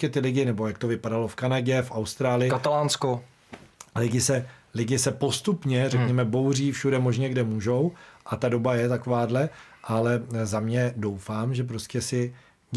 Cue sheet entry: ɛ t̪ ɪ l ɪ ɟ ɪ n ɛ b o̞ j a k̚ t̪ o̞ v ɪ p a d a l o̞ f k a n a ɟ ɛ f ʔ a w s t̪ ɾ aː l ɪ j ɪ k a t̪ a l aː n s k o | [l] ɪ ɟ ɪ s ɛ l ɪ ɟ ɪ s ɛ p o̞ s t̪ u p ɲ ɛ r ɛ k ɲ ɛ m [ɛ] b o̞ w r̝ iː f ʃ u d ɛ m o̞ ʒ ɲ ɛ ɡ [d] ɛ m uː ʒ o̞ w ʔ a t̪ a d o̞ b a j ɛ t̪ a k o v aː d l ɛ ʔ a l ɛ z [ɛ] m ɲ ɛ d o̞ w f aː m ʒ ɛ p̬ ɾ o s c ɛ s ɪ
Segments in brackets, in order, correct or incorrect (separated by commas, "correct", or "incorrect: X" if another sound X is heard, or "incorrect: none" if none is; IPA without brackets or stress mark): correct, correct, correct, incorrect: a